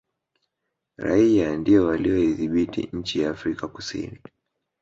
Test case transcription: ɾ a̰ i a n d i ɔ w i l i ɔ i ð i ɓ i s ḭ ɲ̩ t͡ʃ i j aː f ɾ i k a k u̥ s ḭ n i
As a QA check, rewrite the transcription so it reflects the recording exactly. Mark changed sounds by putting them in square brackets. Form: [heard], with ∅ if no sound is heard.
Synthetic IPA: ɾ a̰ i a n d i ɔ w [a] l i ɔ i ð i ɓ i [t] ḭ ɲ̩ t͡ʃ i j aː f ɾ i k a k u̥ s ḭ n i